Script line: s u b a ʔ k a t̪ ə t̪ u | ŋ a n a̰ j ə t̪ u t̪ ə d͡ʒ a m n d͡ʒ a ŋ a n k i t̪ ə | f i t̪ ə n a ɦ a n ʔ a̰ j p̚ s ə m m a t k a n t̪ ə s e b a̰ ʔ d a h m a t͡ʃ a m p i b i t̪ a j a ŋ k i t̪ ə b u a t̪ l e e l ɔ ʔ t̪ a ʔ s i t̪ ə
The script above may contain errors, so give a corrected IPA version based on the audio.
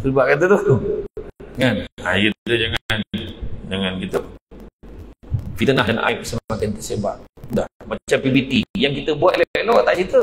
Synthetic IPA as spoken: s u b a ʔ k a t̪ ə t̪ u | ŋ a n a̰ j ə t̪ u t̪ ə d͡ʒ a ŋ n d͡ʒ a ŋ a n k i t̪ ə | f i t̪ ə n a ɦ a n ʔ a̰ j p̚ s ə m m a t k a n t̪ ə s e b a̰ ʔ d a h m a t͡ʃ a m p i b i t̪ i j a ŋ k i t̪ ə b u a t̪ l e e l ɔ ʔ t̪ a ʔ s i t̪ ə